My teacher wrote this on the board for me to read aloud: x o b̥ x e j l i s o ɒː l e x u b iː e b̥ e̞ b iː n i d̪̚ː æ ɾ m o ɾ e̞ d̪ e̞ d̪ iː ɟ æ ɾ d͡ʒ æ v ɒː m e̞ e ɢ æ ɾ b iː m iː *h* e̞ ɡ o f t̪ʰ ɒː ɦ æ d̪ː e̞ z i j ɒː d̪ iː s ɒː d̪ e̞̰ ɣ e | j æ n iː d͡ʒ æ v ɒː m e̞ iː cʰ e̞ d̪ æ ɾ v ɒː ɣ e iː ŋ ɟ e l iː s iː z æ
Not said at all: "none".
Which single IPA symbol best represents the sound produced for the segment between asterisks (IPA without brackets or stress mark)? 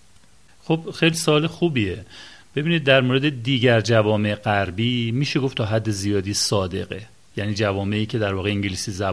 ʃ